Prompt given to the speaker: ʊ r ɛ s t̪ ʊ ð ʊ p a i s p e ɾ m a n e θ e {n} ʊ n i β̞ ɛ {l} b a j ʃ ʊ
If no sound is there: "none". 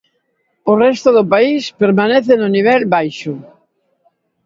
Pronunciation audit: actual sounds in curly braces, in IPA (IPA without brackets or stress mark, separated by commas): n, l